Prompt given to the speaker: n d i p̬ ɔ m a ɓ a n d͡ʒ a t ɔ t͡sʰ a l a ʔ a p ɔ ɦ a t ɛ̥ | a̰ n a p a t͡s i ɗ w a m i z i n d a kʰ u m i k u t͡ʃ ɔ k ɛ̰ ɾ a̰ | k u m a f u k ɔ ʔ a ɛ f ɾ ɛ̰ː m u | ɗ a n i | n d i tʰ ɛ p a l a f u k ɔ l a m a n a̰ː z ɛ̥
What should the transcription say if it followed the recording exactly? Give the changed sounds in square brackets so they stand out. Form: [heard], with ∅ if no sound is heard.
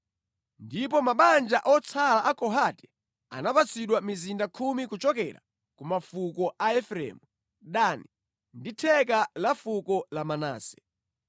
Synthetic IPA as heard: n d i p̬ ɔ m a ɓ a n d͡ʒ a [ʔ] ɔ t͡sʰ a l a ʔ a [k] ɔ ɦ a t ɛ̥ | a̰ n a p a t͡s i ɗ w a m i z i n d a kʰ u m i k u t͡ʃ ɔ k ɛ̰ ɾ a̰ | k u m a f u k ɔ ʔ a ɛ f ɾ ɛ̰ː m u | ɗ a n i | n d i tʰ ɛ [k] a l a f u k ɔ l a m a n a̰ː [s] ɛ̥

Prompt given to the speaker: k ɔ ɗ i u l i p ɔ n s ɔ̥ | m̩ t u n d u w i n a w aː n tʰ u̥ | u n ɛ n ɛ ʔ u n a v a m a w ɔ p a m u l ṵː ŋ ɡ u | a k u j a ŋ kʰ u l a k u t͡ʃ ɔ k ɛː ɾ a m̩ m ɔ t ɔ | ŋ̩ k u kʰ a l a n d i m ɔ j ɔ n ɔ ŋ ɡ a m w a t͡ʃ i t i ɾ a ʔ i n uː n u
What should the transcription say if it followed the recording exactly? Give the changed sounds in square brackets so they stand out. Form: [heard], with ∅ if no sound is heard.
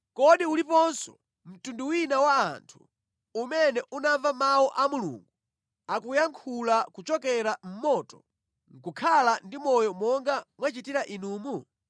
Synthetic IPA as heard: k ɔ ɗ i u l i p ɔ n s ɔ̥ | m̩ t u n d u w i n a w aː n tʰ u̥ | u [m] ɛ n ɛ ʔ u n a v a m a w ɔ [ʔ] a m u l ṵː ŋ ɡ u | a k u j a ŋ kʰ u l a k u t͡ʃ ɔ k [ɛ] ɾ a m̩ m ɔ t ɔ | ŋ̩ k u kʰ a l a n d i m ɔ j ɔ [m] ɔ ŋ ɡ a m w a t͡ʃ i t i ɾ a ʔ i n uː [m] u

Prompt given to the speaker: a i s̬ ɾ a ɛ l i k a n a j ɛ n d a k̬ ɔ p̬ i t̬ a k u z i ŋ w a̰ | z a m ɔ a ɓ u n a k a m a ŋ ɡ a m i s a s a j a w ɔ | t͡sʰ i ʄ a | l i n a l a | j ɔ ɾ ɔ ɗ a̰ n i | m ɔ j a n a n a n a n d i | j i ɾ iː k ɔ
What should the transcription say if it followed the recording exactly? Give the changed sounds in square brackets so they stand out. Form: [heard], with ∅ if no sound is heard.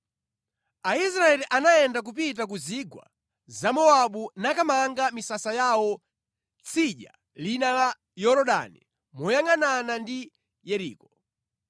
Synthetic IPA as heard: a i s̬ ɾ a ɛ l i [ʔ] a n a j ɛ n d a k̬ [u] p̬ i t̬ a k u z i [ɡ] w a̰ | z a m ɔ a ɓ u n a k a m a ŋ ɡ a m i s a s a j a w ɔ | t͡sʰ i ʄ a | l i n a l a | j ɔ ɾ ɔ ɗ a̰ n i | m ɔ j a [ŋ] a n a n a n d i | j [ɛ] ɾ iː k ɔ

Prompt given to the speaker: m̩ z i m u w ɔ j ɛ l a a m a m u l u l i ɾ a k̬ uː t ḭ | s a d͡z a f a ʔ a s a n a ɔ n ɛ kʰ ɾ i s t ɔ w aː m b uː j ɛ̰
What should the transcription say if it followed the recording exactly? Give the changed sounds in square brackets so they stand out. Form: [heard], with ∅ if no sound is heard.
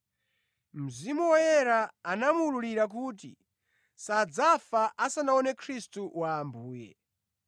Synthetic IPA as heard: m̩ z i m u w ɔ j ɛ [ɾ] a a [n] a m u l u l i ɾ a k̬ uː t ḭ | s a d͡z a f a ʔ a s a n a ɔ n ɛ kʰ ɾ i s t [u] w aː m b uː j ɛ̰

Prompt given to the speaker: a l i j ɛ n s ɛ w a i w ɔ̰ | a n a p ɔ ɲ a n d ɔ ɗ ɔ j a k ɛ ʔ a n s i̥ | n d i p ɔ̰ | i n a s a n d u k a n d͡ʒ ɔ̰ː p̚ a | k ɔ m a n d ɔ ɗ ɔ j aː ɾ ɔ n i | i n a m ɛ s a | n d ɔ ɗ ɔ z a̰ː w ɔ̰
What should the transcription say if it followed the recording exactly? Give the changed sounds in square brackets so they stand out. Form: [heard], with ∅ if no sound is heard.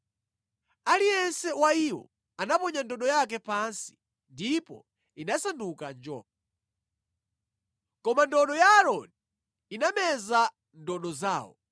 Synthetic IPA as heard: a l i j ɛ n s ɛ w a i w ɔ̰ | a n a p ɔ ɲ a n d ɔ ɗ ɔ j a k ɛ [p] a n s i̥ | n d i p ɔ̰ | i n a s a n d u k a n d͡ʒ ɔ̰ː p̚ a | k ɔ m a n d ɔ ɗ ɔ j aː ɾ ɔ n i | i n a m ɛ [z] a | n d ɔ ɗ ɔ z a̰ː w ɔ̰

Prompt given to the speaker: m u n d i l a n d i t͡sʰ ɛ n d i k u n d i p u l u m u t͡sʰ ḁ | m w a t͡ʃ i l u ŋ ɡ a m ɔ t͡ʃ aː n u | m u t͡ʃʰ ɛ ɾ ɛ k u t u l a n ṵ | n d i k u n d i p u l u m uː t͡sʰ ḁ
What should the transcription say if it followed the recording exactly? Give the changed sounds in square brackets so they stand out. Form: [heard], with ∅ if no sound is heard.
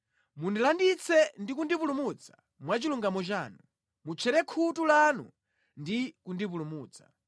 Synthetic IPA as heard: m u n d i l a n d i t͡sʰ ɛ n d i k u n d i p u l u m u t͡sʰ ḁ | m w a t͡ʃ i l u ŋ ɡ a m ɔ t͡ʃ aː n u | m u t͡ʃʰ ɛ ɾ ɛ [kʰ] u t u l a n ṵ | n d i k u n d i p u l u m uː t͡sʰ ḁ

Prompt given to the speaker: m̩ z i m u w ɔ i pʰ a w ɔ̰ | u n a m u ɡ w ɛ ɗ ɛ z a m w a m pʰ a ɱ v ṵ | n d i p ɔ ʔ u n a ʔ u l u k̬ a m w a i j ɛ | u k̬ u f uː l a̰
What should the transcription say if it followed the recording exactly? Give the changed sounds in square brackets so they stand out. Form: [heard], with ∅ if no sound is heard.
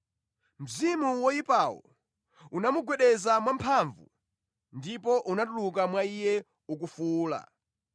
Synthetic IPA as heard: m̩ z i m u w ɔ i [p] a w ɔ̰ | u n a m u ɡ w ɛ ɗ ɛ z a m w a m pʰ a ɱ v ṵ | n d i p ɔ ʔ u n a [t] u l u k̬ a m w a i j ɛ | u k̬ u f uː l a̰

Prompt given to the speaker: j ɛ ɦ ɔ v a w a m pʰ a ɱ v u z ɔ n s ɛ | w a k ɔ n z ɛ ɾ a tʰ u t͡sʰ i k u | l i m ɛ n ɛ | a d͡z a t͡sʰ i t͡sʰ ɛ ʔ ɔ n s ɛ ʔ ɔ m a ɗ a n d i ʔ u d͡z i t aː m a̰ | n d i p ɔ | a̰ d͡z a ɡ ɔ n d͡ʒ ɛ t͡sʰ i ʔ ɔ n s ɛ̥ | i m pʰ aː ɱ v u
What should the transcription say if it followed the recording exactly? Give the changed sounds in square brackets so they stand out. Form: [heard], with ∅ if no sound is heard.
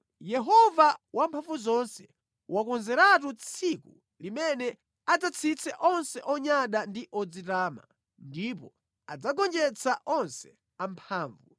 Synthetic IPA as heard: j ɛ ɦ ɔ v a w a m pʰ a ɱ v u z ɔ n s ɛ | w a k ɔ n z ɛ ɾ a [t] u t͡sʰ i k u | l i m ɛ n ɛ | a d͡z a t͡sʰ i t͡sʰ ɛ ʔ ɔ n s ɛ ʔ ɔ [ɲ] a ɗ a n d i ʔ [ɔ] d͡z i t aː m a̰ | n d i p ɔ | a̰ d͡z a ɡ ɔ n d͡ʒ ɛ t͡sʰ [a] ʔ ɔ n s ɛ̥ | [a] m pʰ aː ɱ v u

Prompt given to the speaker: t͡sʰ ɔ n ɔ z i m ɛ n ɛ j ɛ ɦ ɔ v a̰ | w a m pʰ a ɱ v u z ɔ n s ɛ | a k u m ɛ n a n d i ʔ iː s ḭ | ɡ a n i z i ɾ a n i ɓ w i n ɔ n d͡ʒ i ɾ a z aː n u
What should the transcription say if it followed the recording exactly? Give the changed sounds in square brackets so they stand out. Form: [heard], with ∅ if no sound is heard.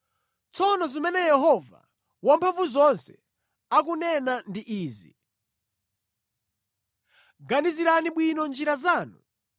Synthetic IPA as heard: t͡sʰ ɔ n ɔ z i m ɛ n ɛ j ɛ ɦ ɔ v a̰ | w a m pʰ a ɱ v u z ɔ n s ɛ | a k u [n] ɛ n a n d i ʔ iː [z] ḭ | ɡ a n i z i ɾ a n i ɓ w i n ɔ n d͡ʒ i ɾ a z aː n u

